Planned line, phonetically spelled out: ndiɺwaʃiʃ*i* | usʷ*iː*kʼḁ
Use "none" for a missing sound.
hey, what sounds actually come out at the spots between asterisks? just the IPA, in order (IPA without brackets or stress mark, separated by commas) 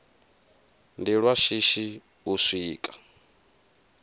i, iː